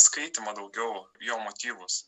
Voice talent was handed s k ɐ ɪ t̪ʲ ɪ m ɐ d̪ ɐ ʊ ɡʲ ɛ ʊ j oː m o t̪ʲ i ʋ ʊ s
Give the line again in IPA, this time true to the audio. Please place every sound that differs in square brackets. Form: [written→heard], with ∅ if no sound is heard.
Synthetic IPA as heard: s k ɐ ɪ t̪ʲ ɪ m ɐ d̪ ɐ ʊ ɡʲ ɛ ʊ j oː m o t̪ʲ [i→iː] ʋ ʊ s